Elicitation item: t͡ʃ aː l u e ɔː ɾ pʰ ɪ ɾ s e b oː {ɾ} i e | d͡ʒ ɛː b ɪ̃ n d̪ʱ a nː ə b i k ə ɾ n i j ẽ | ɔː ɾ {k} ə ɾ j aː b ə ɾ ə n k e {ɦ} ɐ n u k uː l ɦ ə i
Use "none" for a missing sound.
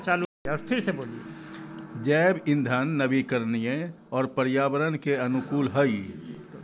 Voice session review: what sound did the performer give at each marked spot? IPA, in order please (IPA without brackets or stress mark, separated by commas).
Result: l, p, none